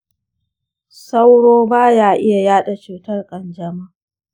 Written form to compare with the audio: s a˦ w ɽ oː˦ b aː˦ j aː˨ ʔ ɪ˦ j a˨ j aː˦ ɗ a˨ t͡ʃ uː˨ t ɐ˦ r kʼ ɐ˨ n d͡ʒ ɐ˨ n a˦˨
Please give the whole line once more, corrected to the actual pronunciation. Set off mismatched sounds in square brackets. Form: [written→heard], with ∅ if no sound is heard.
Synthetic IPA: s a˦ w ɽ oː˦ b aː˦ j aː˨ ʔ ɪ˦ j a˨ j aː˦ ɗ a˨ t͡ʃ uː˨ t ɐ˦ r kʼ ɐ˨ n d͡ʒ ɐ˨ [n→m] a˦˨